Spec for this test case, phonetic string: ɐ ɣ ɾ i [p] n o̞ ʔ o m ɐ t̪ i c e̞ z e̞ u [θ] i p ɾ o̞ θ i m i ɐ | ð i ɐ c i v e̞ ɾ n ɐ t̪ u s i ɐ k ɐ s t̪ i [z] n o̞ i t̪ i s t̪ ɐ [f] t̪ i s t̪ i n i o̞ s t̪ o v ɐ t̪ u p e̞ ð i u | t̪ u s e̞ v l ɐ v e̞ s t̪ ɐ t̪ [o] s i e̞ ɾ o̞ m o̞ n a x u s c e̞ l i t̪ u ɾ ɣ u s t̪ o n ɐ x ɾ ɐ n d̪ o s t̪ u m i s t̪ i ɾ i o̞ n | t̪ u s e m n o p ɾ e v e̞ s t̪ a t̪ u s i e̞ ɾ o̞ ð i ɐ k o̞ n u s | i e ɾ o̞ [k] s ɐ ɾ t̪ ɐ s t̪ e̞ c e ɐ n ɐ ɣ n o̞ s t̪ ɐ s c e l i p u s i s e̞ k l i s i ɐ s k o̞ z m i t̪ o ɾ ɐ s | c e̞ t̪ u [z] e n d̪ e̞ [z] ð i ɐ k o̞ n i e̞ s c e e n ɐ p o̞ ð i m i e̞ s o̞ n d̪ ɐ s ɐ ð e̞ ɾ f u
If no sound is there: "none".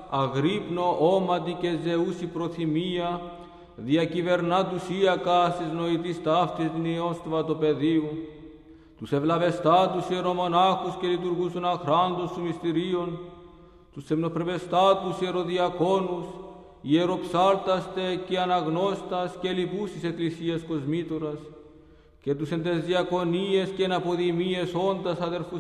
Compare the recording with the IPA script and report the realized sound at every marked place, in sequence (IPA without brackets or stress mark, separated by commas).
p, s, z, f, u, p, s, z